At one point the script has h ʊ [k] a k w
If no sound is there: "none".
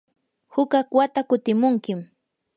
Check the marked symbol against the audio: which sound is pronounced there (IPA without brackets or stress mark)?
k